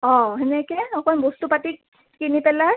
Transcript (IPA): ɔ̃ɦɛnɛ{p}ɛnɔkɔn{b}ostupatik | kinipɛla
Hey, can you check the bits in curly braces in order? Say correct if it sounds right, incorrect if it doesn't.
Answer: incorrect: k, correct

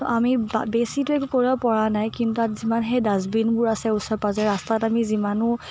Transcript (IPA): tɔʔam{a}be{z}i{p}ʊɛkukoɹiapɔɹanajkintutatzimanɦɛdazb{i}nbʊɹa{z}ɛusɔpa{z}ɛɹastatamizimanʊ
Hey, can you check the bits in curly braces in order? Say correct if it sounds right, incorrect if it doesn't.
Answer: incorrect: i, incorrect: s, incorrect: t, correct, incorrect: s, correct

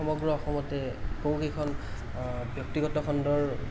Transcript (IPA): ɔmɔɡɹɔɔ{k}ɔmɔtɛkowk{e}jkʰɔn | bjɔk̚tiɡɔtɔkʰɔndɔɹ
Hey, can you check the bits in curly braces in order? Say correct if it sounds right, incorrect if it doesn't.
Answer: incorrect: x, correct

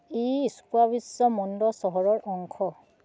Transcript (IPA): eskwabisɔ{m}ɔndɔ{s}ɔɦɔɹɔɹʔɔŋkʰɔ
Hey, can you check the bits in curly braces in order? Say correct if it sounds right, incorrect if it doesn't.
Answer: correct, correct

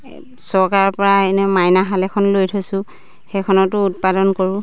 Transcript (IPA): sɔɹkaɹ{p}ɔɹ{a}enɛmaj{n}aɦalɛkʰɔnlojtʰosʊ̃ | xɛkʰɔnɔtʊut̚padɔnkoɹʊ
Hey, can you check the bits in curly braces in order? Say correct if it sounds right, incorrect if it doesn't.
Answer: correct, correct, correct

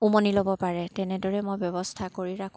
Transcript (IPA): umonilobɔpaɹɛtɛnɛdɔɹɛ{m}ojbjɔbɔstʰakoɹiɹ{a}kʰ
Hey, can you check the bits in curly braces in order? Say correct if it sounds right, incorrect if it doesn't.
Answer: correct, correct

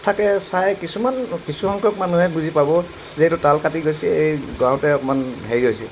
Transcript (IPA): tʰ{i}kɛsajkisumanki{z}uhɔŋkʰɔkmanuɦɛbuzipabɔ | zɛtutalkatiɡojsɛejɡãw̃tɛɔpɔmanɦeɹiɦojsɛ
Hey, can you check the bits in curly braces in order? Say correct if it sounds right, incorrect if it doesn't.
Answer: incorrect: a, incorrect: s

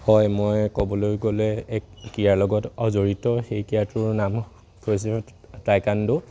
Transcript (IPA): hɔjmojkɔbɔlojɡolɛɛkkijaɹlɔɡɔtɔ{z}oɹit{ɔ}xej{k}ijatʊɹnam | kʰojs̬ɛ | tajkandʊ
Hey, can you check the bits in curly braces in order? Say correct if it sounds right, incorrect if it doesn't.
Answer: correct, correct, correct

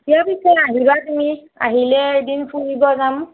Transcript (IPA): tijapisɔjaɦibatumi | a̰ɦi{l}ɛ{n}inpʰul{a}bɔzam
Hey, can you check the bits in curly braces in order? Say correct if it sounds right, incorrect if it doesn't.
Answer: correct, incorrect: d, incorrect: i

